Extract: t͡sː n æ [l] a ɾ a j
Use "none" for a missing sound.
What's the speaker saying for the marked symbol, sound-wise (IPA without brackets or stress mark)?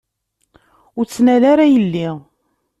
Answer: l